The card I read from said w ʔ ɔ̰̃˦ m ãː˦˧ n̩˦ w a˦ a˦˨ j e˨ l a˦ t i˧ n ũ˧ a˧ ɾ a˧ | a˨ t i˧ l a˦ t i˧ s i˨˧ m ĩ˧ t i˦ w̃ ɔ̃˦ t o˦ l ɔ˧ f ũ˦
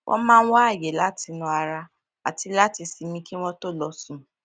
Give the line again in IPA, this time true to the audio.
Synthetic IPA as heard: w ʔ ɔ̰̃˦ m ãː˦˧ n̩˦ w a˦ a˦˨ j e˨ l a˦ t i˧ n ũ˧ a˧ ɾ a˧ | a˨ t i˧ l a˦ t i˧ s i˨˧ m ĩ˧ k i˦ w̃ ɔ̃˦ t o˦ l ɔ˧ s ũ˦

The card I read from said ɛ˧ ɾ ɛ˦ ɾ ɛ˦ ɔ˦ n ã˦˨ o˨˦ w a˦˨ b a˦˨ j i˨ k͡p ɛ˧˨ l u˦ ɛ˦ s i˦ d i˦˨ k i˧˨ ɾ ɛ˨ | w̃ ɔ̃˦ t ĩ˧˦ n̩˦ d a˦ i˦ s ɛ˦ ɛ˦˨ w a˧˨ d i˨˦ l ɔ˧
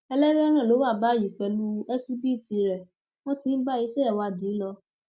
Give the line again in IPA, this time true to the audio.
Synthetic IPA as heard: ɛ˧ l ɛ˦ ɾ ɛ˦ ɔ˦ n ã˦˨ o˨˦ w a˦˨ b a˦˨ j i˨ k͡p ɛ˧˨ l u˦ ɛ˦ s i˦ b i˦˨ t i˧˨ ɾ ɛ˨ | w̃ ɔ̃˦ t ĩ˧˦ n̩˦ b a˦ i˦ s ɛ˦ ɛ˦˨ w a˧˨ d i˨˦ l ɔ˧

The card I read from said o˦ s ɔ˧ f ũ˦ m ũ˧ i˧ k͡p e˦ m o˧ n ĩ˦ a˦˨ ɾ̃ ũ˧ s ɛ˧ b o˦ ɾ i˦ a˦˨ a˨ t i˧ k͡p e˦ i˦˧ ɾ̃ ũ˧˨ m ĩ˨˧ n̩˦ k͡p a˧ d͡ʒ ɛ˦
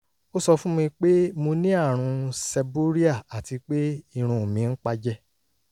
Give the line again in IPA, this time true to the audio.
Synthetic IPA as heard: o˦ s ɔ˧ f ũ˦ m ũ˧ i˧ k͡p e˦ m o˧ n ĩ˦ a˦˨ ɾ̃ ũ˧ s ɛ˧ b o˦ ɾ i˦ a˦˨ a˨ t i˧ k͡p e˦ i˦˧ ɾ̃ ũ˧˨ m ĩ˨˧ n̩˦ k͡p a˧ d͡ʒ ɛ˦

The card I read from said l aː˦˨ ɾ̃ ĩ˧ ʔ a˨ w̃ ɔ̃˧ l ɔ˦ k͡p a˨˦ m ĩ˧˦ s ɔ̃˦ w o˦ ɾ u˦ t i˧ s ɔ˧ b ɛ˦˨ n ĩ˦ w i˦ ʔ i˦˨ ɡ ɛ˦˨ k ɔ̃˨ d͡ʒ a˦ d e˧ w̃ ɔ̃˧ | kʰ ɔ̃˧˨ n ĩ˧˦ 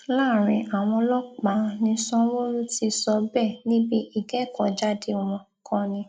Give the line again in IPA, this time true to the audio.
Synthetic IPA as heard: l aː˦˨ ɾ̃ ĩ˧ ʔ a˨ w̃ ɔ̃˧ l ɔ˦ k͡p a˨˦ n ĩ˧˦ s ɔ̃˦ w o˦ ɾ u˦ t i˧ s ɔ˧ b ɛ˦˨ n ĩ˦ b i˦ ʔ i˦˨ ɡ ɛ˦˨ k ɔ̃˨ d͡ʒ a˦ d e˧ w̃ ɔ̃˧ | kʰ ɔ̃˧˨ n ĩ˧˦

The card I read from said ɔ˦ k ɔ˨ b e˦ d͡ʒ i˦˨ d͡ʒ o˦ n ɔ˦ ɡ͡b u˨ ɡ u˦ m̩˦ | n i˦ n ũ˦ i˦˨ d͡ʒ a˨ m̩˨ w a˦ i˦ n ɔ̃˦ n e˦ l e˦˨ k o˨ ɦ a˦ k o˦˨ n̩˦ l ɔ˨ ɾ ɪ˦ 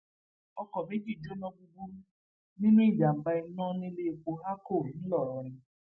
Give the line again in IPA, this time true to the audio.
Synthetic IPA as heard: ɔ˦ k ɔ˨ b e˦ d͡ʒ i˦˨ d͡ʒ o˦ n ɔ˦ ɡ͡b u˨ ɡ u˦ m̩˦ | n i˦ n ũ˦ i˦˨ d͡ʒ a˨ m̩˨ b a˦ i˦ n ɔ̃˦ n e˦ l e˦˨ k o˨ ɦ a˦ k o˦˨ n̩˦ l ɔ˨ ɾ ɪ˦

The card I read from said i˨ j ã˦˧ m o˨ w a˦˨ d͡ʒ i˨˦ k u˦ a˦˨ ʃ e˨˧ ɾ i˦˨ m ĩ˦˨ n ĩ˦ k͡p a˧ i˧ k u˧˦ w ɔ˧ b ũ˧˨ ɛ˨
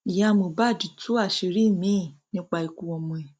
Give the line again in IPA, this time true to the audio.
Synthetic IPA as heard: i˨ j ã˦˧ m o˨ b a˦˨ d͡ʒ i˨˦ t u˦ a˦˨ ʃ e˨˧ ɾ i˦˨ m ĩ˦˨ n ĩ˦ k͡p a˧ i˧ k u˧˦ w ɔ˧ m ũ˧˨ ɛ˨

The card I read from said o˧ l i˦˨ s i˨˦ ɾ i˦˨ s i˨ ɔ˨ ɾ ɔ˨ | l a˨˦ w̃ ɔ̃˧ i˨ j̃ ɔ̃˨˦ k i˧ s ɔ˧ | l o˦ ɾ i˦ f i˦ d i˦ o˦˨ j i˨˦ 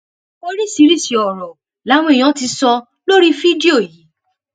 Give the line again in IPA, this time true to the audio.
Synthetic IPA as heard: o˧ ɾ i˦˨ s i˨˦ ɾ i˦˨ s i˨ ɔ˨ ɾ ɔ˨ | l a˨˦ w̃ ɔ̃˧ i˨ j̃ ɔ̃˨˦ t i˧ s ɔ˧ | l o˦ ɾ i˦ f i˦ d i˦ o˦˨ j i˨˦

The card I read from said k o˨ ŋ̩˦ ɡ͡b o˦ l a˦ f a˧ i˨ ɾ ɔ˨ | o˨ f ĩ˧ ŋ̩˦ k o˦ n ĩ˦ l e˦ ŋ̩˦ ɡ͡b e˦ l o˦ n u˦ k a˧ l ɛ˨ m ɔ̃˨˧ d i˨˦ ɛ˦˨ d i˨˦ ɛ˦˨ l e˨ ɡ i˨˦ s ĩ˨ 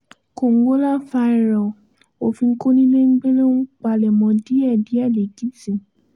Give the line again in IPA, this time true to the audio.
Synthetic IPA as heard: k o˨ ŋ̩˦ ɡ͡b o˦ l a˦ f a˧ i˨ ɾ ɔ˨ | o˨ f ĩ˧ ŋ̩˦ k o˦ n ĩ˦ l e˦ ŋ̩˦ ɡ͡b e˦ l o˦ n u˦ k͡p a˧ l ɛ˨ m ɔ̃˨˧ d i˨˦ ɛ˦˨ d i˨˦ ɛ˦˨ l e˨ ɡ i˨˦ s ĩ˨

